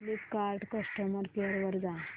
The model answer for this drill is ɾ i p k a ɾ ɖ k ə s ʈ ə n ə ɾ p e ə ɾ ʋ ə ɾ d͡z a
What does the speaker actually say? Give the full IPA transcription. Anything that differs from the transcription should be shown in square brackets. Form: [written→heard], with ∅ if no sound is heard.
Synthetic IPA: [ɾ→l] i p k a ɾ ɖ k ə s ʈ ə [n→m] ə ɾ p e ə ɾ ʋ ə ɾ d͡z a